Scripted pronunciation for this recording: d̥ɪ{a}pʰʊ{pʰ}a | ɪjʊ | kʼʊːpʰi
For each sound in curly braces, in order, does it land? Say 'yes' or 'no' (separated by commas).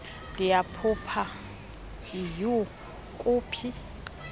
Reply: yes, yes